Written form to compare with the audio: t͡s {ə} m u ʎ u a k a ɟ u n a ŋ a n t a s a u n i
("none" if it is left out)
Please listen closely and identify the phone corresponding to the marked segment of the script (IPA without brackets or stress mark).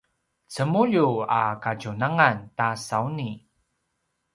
ə